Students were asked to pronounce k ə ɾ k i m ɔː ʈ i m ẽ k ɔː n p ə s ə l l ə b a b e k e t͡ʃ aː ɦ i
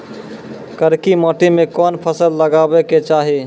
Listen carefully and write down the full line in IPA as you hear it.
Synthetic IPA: k ə ɾ k i m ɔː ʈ i m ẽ k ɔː n pʰ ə s ə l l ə ɡ a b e k e t͡ʃ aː ɦ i